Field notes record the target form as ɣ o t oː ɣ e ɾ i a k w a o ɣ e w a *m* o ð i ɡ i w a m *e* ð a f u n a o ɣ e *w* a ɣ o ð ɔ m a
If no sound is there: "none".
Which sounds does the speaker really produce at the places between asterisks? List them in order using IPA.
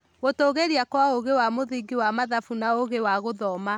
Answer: m, a, w

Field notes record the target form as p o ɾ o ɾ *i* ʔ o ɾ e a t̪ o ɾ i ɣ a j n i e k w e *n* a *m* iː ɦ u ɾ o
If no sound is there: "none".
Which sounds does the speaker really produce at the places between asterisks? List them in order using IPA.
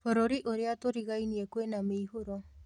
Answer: i, n, m

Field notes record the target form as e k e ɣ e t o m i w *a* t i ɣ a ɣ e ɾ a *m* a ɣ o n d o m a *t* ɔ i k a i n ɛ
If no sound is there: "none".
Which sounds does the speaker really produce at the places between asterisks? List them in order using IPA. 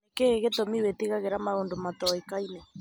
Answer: e, m, t

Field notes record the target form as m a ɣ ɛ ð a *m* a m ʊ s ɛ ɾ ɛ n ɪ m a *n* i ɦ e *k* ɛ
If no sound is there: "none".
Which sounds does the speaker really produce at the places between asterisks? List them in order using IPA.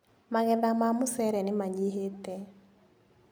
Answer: m, ɲ, t

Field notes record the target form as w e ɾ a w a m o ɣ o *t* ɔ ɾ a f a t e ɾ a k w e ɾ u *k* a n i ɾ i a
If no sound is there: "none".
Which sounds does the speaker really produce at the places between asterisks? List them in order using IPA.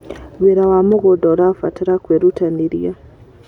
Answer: d, t

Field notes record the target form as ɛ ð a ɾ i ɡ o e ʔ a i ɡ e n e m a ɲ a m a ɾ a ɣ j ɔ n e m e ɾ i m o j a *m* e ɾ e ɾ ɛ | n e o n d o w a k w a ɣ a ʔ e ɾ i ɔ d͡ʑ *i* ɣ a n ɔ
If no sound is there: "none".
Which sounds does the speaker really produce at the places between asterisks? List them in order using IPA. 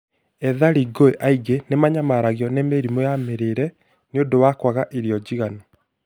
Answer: m, i

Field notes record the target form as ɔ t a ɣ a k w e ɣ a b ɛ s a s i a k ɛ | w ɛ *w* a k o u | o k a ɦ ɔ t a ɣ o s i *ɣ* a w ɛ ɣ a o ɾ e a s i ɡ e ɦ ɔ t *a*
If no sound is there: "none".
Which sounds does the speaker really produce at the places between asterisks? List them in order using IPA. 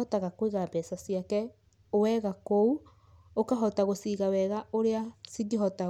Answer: ɣ, ɣ, a

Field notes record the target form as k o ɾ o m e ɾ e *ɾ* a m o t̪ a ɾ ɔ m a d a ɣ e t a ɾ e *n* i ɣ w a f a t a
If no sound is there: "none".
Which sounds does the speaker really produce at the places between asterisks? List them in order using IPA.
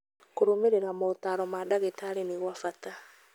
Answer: ɾ, n

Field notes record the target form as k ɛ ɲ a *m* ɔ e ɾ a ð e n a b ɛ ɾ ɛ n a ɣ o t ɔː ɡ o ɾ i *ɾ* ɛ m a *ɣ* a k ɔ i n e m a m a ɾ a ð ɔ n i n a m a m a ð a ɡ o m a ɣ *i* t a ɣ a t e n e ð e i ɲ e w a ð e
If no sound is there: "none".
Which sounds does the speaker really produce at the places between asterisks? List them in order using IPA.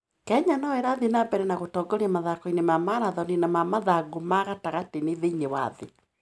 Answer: n, none, ð, a

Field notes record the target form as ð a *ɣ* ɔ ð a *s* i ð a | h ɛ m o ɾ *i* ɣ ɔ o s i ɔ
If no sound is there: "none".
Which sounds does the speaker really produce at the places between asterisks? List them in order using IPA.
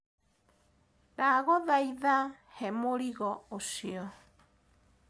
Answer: ɣ, none, i

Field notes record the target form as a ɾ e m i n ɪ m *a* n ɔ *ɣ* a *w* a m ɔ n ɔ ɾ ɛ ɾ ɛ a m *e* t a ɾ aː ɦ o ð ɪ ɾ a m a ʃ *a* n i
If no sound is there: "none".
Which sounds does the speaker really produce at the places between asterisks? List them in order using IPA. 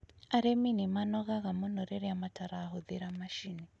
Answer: a, ɣ, ɣ, a, i

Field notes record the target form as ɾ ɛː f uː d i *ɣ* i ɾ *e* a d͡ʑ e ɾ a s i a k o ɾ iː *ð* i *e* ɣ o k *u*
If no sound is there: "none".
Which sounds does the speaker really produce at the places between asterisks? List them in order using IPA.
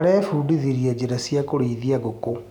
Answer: ð, i, ð, a, o

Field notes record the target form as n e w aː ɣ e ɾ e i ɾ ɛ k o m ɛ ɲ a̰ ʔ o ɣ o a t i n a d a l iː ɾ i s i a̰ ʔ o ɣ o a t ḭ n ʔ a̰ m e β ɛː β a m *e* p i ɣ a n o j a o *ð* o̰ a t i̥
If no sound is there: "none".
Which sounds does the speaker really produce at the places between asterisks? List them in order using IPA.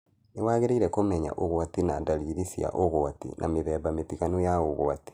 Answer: e, ɣ

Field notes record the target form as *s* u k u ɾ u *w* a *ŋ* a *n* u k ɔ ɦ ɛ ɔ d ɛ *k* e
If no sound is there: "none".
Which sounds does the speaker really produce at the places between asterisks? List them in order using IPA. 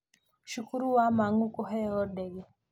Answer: ʃ, w, m, ŋ, ɡ

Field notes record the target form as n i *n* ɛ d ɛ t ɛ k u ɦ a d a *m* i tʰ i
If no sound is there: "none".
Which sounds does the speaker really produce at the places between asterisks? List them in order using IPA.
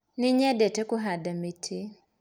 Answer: ɲ, m

